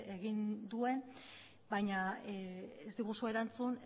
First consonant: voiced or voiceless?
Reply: voiced